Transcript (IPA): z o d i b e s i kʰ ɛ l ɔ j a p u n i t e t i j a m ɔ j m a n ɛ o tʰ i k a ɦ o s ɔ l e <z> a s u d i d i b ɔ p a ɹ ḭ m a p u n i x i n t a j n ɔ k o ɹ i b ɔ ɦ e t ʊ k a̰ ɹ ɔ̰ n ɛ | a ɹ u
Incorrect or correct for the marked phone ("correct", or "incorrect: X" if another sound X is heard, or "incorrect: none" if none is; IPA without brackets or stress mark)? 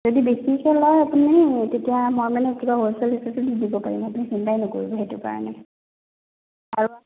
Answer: incorrect: s